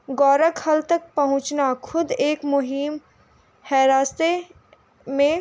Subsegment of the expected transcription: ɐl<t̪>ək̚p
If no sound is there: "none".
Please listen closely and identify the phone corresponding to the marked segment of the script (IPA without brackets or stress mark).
t̪